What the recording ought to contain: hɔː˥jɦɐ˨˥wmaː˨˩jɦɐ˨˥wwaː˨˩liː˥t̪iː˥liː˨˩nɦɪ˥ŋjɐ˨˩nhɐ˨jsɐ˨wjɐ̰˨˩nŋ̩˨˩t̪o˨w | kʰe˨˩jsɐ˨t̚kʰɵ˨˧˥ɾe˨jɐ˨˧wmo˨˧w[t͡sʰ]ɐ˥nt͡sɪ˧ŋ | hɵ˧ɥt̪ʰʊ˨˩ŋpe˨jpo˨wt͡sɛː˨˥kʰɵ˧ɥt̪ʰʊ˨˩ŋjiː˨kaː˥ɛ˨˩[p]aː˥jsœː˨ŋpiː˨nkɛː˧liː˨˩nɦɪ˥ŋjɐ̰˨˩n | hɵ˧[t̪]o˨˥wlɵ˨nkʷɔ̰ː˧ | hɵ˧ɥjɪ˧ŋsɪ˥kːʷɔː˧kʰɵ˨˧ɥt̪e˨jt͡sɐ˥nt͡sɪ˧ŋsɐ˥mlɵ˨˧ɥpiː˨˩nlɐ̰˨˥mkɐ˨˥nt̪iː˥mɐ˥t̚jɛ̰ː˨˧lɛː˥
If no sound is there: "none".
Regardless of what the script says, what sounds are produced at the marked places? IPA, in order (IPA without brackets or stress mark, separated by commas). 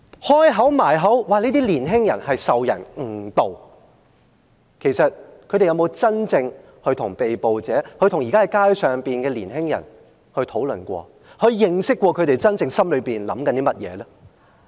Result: t͡s, k, t̪ʰ